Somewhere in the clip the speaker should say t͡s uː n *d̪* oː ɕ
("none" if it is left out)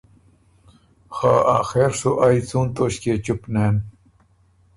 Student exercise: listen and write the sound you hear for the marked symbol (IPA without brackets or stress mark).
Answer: t̪